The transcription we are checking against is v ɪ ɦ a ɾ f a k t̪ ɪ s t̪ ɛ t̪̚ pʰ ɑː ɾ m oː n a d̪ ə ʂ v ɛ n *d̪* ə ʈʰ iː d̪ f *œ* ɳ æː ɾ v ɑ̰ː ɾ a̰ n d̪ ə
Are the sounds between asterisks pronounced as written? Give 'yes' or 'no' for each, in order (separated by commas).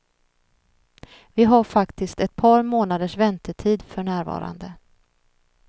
no, yes